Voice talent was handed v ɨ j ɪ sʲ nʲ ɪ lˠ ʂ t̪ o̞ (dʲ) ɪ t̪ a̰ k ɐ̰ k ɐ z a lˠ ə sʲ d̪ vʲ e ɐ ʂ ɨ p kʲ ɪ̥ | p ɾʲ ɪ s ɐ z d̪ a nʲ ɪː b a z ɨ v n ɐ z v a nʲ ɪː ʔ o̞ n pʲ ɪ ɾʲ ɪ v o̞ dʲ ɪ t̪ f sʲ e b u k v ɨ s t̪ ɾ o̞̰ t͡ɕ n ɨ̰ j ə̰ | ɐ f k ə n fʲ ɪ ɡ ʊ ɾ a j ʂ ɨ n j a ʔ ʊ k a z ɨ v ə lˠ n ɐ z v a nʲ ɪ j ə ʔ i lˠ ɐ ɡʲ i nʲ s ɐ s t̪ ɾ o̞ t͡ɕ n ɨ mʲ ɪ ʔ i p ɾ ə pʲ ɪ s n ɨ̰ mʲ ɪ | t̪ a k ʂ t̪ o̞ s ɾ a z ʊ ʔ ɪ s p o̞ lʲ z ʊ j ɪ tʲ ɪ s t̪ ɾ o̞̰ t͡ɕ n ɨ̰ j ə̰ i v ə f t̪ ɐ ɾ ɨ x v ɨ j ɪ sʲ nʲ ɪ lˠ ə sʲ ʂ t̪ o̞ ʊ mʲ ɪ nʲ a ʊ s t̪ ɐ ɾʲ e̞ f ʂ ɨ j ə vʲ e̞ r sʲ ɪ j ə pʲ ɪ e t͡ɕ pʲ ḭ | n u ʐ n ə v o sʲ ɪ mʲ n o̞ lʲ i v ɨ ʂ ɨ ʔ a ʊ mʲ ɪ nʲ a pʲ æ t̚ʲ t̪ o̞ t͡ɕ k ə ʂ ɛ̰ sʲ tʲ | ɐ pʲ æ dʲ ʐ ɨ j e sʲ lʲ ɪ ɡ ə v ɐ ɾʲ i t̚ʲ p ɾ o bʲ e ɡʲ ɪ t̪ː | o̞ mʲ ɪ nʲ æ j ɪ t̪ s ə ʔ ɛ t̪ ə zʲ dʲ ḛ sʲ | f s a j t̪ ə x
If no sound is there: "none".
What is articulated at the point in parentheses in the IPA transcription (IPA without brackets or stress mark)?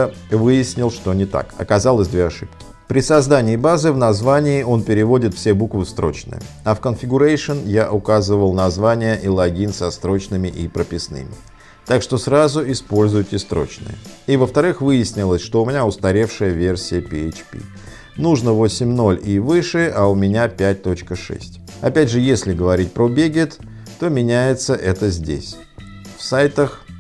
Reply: nʲ